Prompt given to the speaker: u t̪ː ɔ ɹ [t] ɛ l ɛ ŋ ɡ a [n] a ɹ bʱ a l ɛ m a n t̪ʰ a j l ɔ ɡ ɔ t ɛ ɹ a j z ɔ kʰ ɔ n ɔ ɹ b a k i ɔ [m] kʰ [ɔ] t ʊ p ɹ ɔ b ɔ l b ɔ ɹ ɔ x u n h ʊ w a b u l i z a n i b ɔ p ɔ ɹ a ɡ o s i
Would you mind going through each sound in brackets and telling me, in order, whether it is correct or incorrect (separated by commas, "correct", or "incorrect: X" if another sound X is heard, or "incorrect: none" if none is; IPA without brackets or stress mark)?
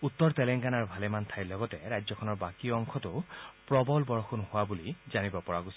correct, correct, incorrect: ŋ, correct